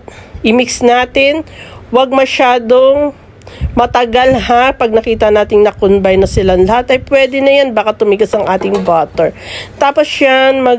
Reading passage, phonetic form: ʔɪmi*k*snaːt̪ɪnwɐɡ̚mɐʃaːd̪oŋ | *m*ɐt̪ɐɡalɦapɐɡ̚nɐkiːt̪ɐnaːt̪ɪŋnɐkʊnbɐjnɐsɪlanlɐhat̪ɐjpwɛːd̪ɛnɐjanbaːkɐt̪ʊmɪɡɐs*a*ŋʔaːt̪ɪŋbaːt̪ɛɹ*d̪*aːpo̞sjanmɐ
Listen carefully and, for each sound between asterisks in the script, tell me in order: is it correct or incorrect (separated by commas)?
correct, correct, incorrect, incorrect